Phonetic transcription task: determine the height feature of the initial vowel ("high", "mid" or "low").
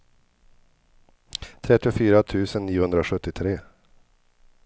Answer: mid